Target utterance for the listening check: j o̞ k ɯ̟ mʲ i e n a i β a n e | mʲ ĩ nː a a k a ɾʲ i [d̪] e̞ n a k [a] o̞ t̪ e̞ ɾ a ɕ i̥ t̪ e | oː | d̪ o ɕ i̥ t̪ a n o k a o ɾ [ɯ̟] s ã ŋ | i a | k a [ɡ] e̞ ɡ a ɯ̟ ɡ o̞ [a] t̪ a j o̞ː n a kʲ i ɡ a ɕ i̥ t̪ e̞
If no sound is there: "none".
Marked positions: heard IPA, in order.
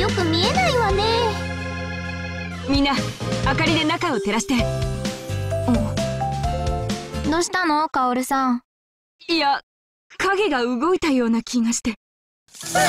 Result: d̪, a, ɯ̟, ɡ, i

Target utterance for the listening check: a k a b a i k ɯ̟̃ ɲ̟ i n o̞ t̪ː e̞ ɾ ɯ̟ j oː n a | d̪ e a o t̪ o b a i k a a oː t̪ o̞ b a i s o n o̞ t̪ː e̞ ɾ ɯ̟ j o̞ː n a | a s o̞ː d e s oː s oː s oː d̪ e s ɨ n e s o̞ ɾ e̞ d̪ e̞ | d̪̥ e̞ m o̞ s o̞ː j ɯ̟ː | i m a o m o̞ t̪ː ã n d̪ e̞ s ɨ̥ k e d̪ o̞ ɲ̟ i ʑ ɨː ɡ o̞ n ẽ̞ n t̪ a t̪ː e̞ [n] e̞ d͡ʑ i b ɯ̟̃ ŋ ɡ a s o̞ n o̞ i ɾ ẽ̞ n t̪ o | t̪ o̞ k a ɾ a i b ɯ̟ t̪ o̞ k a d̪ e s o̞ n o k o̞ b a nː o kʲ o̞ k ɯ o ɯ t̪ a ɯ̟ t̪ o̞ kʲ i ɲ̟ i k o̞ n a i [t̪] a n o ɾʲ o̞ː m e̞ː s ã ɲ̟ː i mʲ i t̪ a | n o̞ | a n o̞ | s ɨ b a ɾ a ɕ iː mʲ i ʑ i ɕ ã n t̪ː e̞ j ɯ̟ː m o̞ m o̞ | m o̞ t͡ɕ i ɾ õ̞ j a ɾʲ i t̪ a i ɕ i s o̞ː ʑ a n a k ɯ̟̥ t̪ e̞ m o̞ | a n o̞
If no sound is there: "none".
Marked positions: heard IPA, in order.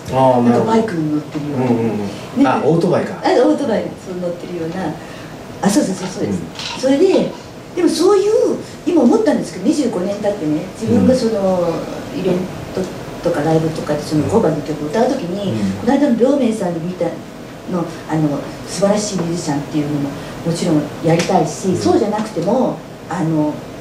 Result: n, d̪

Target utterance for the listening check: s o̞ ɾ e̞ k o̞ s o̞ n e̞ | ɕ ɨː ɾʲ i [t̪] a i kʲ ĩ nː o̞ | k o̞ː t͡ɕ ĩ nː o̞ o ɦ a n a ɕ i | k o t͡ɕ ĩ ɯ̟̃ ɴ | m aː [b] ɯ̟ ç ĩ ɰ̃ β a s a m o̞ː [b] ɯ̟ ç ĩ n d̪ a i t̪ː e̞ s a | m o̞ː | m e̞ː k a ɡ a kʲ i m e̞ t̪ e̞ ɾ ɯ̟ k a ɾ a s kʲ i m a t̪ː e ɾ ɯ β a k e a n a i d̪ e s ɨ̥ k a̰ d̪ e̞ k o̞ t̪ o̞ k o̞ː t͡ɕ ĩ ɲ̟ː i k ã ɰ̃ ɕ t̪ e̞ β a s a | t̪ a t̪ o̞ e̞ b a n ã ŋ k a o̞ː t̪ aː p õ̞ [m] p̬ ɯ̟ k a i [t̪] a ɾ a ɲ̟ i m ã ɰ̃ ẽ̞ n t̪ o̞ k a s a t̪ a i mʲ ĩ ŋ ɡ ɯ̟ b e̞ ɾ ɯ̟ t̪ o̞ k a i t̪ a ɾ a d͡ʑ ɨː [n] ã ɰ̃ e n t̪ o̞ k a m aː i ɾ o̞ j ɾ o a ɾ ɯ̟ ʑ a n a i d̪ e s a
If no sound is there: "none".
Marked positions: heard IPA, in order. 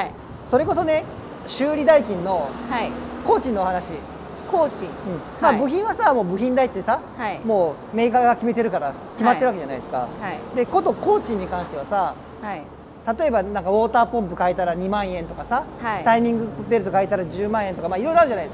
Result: d̪, b, b, m, t̪, m

